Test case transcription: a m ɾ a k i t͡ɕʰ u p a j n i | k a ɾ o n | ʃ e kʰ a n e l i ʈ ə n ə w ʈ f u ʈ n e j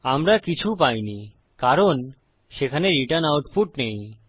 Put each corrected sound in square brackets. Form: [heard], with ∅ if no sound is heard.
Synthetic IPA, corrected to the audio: a m ɾ a k i t͡ɕʰ u p a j n i | k a ɾ o n | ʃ e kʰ a n e [ɾ] i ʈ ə n [a] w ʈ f u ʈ n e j